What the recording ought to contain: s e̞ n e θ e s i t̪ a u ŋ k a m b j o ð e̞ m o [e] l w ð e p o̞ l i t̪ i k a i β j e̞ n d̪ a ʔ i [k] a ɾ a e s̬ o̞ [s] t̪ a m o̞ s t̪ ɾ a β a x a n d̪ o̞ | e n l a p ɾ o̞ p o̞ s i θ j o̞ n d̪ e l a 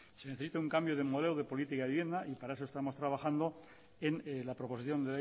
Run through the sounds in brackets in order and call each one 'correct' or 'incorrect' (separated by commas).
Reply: correct, incorrect, correct